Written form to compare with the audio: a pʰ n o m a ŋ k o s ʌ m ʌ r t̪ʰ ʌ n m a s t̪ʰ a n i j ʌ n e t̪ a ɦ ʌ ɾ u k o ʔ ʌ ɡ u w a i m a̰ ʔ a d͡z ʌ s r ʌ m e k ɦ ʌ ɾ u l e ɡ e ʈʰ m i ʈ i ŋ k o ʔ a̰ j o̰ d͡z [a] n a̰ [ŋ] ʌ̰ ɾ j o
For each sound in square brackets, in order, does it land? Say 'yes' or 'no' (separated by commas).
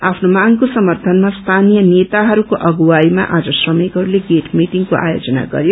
no, no